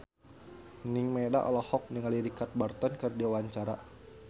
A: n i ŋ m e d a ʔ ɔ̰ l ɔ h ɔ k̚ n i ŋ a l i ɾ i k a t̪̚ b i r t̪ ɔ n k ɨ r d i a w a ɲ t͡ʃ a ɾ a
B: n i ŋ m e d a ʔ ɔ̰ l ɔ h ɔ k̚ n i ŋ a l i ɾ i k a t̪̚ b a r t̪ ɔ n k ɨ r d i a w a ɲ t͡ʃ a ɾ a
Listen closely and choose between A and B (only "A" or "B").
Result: B